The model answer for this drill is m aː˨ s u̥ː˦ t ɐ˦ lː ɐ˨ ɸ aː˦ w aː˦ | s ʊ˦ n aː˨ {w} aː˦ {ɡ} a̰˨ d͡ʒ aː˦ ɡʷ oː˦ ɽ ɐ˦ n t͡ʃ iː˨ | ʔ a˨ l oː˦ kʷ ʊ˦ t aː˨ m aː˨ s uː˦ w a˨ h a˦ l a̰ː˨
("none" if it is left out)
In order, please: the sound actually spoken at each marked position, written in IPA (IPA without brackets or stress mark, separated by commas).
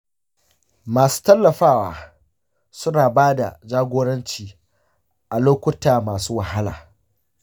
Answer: b, d